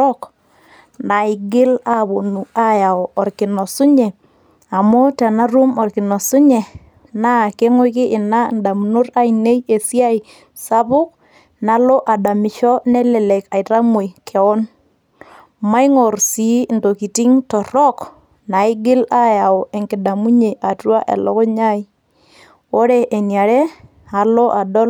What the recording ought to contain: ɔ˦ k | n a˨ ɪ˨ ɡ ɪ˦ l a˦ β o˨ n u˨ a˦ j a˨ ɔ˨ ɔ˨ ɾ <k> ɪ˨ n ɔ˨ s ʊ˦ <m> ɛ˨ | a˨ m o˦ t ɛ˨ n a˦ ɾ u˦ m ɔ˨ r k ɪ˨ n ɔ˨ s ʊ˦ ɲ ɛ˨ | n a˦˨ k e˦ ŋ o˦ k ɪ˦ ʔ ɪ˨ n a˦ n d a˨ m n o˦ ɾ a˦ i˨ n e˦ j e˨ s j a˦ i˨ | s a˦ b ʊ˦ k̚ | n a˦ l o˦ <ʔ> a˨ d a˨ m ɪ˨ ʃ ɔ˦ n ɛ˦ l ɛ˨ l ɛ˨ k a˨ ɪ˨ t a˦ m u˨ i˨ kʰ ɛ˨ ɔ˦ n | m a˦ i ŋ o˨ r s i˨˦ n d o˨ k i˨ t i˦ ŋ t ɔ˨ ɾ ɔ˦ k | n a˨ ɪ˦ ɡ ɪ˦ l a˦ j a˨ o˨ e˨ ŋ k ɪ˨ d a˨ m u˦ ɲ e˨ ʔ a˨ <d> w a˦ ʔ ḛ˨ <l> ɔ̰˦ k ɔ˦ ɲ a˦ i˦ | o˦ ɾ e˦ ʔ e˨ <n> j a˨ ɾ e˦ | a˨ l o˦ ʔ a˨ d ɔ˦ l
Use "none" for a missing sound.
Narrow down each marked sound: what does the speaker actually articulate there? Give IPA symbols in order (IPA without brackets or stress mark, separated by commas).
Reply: k, ɲ, ʔ, t, l, n